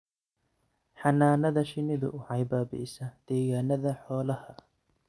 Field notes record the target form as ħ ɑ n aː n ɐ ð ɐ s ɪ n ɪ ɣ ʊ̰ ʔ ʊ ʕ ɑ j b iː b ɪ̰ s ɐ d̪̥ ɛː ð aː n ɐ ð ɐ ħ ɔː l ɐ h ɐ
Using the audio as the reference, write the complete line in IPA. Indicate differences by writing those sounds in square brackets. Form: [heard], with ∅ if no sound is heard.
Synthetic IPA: ħ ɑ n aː n ɐ ð ɐ [ʃ] ɪ n ɪ [ð] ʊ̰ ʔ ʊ ʕ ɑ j b [aː] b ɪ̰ s ɐ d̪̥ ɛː [ɣ] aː n ɐ ð ɐ ħ ɔː l ɐ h ɐ

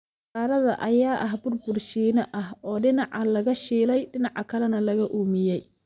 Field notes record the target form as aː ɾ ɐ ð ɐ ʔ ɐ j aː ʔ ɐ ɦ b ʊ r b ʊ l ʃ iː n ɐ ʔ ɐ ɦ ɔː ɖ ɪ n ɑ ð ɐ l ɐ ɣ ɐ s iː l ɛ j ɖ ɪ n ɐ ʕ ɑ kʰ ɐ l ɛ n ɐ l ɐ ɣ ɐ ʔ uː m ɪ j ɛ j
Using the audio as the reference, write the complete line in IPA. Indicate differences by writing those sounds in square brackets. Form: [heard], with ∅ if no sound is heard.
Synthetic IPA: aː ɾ ɐ ð ɐ ʔ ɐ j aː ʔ ɐ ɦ b ʊ r b ʊ [r] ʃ iː n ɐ ʔ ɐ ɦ ɔː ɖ ɪ n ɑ [ʕ] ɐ l ɐ ɣ ɐ [ʃ] iː l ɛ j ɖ ɪ n [ɑ] ʕ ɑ kʰ ɐ l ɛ n ɐ l ɐ ɣ ɐ ʔ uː m ɪ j ɛ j

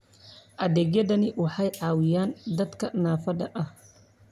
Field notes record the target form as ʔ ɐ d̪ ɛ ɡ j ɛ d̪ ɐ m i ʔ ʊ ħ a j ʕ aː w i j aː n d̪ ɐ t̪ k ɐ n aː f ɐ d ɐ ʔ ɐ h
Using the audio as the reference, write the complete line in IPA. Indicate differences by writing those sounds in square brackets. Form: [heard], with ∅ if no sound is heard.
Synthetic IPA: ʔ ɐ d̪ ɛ ɡ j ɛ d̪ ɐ [n] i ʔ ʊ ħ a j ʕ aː w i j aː n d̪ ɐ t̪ k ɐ n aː f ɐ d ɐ ʔ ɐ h

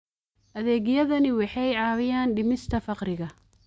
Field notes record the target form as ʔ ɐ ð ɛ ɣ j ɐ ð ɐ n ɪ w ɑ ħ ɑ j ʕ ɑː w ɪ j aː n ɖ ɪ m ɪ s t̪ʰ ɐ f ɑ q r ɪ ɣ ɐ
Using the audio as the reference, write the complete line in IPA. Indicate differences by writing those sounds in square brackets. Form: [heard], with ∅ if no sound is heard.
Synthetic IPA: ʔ ɐ ð [ɛː] ɣ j ɐ ð ɐ n ɪ w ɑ ħ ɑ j ʕ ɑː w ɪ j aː n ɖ ɪ m ɪ s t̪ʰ ɐ f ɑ q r ɪ ɣ ɐ

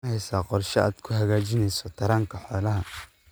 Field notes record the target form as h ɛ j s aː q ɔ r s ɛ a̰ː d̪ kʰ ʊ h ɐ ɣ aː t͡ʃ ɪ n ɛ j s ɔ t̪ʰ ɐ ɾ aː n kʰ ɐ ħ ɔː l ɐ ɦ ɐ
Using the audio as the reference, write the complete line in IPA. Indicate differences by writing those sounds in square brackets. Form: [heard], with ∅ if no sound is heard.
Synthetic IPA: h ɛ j s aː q ɔ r [ʃ] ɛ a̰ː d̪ kʰ ʊ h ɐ ɣ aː t͡ʃ ɪ n ɛ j s ɔ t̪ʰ ɐ ɾ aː [ŋ] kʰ ɐ ħ ɔː l ɐ ɦ ɐ

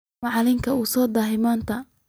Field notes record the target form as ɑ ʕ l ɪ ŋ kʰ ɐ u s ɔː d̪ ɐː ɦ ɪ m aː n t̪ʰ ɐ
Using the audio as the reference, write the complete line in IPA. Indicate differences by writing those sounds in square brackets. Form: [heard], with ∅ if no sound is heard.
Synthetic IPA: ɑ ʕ l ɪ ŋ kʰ ɐ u s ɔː d̪ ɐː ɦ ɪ m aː n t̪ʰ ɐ

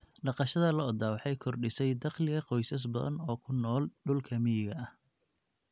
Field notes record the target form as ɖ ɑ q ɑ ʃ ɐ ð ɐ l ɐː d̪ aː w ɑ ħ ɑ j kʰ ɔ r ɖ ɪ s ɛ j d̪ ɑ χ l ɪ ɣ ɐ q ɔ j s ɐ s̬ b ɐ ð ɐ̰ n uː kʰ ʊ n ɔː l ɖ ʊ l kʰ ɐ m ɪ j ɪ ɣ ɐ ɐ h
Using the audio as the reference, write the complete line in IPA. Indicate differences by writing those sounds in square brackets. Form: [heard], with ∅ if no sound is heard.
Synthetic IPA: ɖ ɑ q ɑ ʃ ɐ ð ɐ l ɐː d̪ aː w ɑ ħ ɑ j kʰ ɔ r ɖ ɪ s ɛ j d̪ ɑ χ l ɪ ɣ ɐ q ɔ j s ɐ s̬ b ɐ ð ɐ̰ n [ɔː] kʰ ʊ n ɔː l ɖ ʊ l kʰ ɐ m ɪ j ɪ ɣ ɐ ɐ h

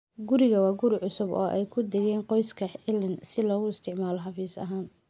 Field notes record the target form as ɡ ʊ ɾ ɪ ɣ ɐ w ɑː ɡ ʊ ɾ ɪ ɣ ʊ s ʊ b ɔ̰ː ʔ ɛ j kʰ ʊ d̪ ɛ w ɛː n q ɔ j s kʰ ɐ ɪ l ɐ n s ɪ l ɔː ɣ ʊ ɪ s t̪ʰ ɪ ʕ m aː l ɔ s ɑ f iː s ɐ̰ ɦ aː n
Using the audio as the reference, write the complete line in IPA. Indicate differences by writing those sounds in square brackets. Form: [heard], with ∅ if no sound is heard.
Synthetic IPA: ɡ ʊ ɾ ɪ ɣ ɐ w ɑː ɡ ʊ ɾ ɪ [ʕ] ʊ s ʊ b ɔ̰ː ʔ ɛ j kʰ ʊ d̪ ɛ [ɣ] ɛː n q ɔ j s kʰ ɐ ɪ l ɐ n s ɪ l ɔː ɣ ʊ ɪ s t̪ʰ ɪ ʕ m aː l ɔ [ħ] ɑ f iː s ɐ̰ ɦ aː n

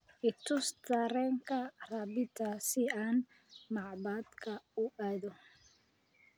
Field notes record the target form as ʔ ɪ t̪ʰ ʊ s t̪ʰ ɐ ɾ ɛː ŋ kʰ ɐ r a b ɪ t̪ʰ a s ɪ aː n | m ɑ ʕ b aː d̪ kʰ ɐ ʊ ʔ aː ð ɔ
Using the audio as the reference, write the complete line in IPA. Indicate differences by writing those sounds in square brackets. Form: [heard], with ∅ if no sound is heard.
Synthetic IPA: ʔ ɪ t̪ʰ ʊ s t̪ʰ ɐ ɾ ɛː ŋ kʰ ɐ r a b ɪ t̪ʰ a s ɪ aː n | m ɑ ʕ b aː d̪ kʰ ɐ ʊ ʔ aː ð ɔ

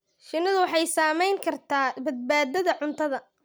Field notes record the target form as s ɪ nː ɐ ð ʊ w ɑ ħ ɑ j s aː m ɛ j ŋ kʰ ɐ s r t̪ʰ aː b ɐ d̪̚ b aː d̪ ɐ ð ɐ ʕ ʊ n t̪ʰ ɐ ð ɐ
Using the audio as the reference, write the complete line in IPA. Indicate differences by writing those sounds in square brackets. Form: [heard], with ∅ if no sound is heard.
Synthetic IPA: [ʃ] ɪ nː ɐ ð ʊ w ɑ ħ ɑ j s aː m ɛ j ŋ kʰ ɐ [∅] r t̪ʰ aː b ɐ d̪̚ b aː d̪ ɐ ð ɐ ʕ ʊ n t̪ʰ ɐ ð ɐ

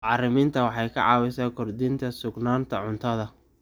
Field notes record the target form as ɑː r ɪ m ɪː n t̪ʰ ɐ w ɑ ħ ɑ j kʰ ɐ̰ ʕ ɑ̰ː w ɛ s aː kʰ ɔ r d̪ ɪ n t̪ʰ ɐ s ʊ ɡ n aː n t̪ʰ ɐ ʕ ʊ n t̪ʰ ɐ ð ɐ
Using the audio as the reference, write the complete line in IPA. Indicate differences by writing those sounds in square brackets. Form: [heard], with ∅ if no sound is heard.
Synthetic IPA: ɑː r ɪ m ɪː n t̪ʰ ɐ w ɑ ħ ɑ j kʰ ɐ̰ ʕ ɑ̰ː w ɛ s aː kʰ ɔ r d̪ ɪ n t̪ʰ ɐ s ʊ ɡ n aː n t̪ʰ ɐ ʕ ʊ n t̪ʰ ɐ ð ɐ

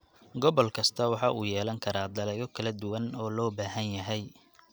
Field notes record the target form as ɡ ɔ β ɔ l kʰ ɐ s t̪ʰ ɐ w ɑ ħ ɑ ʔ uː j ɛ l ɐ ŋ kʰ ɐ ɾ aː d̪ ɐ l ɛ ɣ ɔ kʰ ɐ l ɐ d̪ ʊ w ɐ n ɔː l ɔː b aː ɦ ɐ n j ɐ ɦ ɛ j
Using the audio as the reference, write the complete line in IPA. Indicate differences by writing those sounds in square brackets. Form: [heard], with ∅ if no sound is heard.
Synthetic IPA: ɡ ɔ β ɔ l kʰ ɐ s t̪ʰ ɐ w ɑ ħ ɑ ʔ uː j [ɛː] l ɐ ŋ kʰ ɐ ɾ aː d̪ ɐ l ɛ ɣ ɔ kʰ ɐ l ɐ d̪ ʊ w ɐ n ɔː l ɔː b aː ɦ ɐ n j ɐ ɦ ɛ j

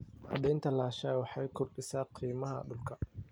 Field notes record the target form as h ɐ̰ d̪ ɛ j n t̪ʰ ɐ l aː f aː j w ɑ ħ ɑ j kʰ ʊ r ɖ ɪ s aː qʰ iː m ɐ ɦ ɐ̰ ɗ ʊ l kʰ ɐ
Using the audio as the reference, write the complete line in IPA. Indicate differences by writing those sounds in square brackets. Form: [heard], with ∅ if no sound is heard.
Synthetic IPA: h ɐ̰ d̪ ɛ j n t̪ʰ ɐ l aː [ʃ] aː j w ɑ ħ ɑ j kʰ ʊ r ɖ ɪ s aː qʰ iː m ɐ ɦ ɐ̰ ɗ ʊ l kʰ ɐ

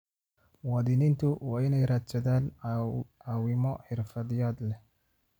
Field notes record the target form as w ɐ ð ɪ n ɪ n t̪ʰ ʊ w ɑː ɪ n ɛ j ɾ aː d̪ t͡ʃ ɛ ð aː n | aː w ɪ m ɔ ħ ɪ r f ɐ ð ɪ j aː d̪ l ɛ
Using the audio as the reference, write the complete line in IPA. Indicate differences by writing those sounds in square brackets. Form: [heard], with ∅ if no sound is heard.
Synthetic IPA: w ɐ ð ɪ n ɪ n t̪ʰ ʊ w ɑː ɪ n ɛ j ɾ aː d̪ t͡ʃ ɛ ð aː n | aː w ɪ m ɔ ħ ɪ r f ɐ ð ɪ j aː d̪ l ɛ

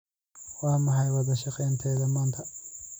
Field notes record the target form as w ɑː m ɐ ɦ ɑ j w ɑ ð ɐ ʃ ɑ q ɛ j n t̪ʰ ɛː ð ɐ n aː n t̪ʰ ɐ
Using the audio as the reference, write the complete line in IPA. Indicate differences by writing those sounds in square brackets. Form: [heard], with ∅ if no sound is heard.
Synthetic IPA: w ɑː m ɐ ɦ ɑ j w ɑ ð ɐ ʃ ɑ q ɛ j n t̪ʰ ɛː ð ɐ [m] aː n t̪ʰ ɐ

